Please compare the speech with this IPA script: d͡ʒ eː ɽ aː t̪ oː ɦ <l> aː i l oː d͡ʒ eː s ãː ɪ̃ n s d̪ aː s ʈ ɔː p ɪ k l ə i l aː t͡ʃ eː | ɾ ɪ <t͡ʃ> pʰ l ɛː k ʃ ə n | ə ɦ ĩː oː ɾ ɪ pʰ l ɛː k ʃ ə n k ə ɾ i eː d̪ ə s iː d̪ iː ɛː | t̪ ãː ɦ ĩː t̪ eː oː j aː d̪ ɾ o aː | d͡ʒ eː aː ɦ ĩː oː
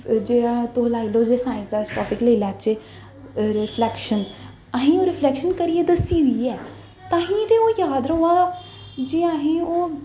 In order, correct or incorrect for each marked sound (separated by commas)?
correct, incorrect